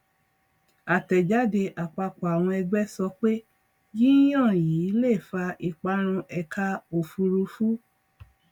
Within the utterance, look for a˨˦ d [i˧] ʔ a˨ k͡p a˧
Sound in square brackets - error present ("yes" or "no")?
yes